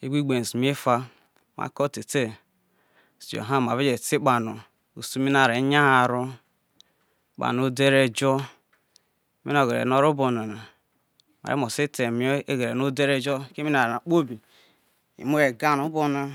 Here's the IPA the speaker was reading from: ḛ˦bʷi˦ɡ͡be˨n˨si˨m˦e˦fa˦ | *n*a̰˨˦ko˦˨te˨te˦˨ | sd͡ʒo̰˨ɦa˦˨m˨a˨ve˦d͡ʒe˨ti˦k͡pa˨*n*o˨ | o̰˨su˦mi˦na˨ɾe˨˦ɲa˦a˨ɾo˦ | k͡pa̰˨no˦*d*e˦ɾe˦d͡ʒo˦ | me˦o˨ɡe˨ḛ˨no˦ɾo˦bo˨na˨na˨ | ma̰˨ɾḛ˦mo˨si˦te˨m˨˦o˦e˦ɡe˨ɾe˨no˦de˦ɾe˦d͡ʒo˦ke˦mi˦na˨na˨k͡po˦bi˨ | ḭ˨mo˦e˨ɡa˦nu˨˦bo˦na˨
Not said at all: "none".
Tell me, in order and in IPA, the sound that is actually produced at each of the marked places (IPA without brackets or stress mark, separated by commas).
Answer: m, n, d